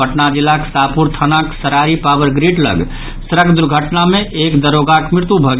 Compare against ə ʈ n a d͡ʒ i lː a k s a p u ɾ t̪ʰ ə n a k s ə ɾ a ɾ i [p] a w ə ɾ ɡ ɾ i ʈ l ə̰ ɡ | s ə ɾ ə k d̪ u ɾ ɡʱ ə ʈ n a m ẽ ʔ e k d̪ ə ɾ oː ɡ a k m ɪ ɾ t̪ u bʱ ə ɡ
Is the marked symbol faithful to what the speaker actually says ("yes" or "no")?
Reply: yes